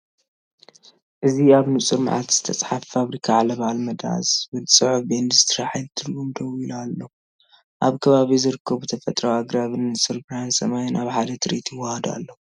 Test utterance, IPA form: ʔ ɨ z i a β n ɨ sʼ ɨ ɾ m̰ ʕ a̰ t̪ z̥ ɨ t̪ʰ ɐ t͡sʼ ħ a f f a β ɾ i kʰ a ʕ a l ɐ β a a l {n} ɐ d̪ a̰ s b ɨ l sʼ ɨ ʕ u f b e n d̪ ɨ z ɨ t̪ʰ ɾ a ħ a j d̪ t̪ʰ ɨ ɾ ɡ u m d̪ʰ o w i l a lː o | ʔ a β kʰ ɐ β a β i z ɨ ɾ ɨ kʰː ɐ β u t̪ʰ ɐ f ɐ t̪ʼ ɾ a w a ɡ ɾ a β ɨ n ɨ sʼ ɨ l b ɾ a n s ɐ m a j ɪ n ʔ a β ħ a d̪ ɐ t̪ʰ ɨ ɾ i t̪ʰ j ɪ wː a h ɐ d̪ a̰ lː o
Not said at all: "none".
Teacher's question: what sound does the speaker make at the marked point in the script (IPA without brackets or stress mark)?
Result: m